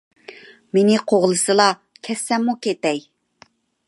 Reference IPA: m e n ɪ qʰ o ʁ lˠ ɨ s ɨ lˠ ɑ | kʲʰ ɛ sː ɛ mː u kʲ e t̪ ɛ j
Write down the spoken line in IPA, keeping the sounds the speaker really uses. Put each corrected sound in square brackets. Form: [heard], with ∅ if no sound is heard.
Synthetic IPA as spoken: m e n ɪ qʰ o ʁ lˠ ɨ s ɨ lˠ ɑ | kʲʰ ɛ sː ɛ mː u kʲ e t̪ ɛ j